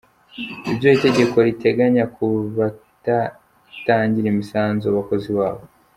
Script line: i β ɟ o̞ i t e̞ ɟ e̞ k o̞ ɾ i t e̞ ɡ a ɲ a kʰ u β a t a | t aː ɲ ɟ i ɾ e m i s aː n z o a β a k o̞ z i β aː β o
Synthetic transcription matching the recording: i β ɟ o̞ i t e̞ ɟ e̞ k o̞ ɾ i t e̞ ɡ a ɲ a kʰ u β a t a | t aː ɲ ɟ i ɾ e m i s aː n z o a β a k o̞ z i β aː β o